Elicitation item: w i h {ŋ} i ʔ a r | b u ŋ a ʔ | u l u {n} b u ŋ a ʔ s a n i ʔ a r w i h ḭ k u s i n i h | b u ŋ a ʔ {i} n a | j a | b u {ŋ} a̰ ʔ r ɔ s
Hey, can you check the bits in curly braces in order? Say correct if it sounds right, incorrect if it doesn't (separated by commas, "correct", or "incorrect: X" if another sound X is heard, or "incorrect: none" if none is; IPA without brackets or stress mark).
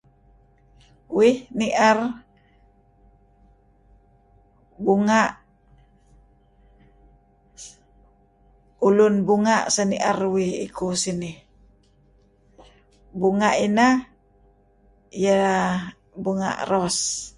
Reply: incorrect: n, correct, correct, correct